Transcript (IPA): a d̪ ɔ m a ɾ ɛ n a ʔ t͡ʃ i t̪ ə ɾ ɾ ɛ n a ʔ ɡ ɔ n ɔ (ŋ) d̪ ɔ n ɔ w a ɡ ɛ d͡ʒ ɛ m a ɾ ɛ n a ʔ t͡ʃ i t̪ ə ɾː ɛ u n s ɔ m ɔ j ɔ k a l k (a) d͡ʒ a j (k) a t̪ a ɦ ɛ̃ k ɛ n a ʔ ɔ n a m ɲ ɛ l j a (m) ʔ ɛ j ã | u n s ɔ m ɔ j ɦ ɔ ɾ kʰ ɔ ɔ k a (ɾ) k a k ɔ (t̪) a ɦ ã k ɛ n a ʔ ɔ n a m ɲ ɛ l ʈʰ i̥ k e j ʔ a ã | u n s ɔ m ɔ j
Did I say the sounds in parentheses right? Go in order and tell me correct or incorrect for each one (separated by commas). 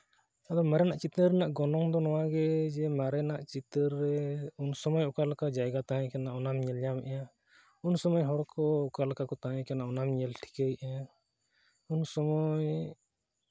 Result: correct, correct, incorrect, correct, incorrect, correct